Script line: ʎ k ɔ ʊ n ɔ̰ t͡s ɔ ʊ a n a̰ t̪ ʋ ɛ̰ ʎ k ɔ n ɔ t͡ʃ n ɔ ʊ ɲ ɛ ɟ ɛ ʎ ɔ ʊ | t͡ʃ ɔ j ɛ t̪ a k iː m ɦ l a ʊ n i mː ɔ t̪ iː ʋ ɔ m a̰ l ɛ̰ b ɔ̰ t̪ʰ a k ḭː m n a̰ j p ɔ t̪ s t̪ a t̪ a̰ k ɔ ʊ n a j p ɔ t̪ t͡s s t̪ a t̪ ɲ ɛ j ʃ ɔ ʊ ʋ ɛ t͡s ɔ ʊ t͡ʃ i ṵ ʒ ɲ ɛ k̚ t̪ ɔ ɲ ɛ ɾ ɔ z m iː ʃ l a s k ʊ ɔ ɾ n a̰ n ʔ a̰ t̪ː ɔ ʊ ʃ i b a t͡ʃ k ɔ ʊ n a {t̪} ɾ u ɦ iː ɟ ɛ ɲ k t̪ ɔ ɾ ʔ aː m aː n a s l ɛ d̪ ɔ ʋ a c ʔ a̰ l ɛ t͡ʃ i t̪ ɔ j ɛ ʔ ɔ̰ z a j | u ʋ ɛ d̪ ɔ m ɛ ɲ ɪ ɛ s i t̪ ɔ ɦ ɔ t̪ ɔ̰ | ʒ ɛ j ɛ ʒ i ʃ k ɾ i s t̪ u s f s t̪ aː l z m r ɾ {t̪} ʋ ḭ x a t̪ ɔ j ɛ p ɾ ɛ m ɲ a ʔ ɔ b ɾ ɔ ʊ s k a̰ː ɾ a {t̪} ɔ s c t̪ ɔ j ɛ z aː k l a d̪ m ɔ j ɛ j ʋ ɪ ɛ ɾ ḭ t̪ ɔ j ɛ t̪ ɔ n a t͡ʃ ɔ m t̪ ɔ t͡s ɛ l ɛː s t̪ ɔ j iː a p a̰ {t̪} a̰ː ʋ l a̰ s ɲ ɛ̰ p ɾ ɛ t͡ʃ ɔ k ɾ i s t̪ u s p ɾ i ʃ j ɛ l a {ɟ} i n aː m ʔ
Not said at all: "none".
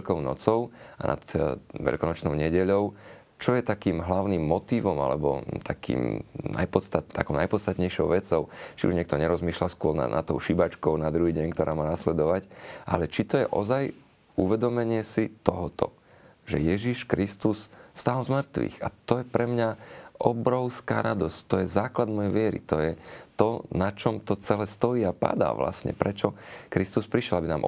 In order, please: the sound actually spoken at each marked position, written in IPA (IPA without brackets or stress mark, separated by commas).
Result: d̪, t̪, d̪, d̪, b